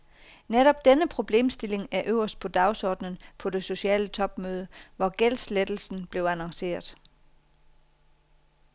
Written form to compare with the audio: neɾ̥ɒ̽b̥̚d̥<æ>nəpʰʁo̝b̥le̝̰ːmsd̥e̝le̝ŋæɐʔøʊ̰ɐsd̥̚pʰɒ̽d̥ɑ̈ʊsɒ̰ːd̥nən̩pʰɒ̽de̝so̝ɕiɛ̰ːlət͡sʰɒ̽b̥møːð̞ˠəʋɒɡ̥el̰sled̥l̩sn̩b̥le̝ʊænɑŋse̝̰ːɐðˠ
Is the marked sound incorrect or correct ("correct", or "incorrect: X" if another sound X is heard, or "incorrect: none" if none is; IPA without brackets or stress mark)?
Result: incorrect: e